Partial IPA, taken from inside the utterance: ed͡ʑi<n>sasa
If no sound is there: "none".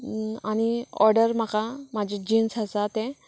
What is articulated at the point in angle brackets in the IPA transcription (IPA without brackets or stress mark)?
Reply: n